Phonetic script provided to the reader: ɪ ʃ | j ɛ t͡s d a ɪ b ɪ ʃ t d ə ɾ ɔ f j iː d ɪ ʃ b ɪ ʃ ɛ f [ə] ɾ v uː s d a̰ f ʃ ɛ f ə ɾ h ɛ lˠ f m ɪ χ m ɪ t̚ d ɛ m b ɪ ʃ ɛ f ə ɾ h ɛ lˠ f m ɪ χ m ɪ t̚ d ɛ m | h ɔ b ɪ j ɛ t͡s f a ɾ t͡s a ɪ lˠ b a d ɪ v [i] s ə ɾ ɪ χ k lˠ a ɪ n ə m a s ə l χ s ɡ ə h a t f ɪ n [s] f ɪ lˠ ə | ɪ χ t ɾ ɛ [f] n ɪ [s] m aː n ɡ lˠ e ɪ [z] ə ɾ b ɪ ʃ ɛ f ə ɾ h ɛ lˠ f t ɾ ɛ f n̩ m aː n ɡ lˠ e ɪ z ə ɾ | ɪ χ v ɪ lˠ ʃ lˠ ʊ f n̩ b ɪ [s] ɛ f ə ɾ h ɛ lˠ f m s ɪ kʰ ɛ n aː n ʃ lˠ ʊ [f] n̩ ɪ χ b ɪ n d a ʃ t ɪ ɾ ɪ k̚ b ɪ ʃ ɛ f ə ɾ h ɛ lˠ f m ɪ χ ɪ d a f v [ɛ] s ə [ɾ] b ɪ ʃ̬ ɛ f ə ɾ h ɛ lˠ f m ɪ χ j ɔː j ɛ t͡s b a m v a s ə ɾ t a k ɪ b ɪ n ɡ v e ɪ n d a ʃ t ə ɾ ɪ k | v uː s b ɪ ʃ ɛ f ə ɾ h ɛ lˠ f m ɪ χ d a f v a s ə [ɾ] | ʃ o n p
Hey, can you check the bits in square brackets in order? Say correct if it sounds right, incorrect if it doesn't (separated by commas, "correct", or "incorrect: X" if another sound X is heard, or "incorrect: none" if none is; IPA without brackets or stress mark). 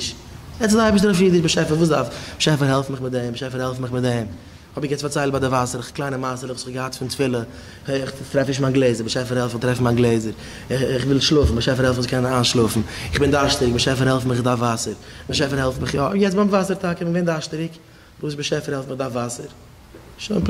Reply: correct, incorrect: a, incorrect: t, correct, incorrect: ʃ, correct, incorrect: ʃ, correct, incorrect: a, correct, correct